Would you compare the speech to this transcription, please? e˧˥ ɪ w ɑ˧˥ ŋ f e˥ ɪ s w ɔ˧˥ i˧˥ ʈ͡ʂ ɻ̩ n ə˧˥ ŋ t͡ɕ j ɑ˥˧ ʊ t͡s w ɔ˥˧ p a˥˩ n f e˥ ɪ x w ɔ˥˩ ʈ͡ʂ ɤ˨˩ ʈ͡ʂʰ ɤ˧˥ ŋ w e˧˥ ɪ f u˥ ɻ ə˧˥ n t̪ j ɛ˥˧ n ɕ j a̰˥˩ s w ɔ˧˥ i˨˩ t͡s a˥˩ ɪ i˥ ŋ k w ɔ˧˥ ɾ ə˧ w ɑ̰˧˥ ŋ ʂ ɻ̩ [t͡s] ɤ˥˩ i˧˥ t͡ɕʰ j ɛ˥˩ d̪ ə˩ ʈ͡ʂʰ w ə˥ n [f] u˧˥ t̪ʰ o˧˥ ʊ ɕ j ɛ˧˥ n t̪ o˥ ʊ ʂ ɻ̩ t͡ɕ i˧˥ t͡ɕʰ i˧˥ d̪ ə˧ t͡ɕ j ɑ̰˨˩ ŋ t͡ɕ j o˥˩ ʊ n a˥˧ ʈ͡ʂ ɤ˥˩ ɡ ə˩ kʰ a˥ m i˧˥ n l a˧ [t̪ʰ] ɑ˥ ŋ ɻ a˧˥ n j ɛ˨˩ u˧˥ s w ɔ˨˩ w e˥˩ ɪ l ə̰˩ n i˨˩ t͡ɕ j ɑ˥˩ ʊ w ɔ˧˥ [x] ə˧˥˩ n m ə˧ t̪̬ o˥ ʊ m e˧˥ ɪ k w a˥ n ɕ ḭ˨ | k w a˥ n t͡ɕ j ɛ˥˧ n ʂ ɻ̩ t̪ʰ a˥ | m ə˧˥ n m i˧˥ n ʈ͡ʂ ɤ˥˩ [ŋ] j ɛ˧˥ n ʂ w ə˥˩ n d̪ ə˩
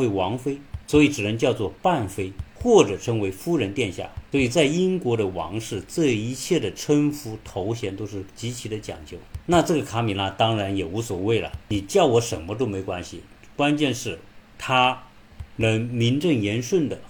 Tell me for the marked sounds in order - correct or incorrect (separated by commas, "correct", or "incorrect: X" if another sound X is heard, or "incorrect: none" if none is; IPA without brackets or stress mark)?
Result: correct, correct, incorrect: t̪, incorrect: ʂ, correct